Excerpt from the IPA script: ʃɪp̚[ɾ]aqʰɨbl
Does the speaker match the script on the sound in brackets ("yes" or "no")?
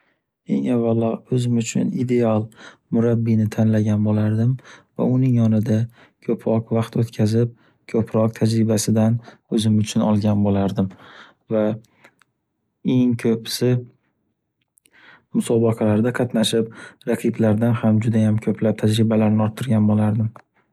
yes